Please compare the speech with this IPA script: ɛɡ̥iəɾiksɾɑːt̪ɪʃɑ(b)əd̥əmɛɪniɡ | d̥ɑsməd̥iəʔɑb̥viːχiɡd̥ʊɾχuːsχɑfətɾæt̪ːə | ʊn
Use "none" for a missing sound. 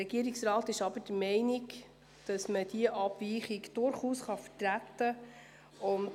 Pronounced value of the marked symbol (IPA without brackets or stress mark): b